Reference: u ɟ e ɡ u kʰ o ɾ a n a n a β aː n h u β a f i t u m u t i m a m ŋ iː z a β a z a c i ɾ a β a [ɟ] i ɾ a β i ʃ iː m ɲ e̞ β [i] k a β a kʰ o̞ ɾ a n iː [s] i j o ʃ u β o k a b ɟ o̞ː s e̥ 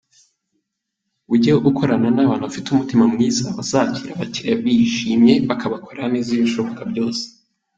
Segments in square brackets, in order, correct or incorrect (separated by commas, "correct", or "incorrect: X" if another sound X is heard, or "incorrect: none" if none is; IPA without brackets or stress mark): incorrect: c, incorrect: a, incorrect: z